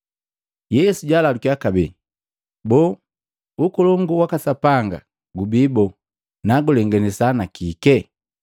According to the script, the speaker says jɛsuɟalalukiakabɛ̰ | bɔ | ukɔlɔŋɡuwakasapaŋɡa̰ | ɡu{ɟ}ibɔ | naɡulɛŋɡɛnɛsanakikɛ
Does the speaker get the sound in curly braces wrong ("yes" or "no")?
yes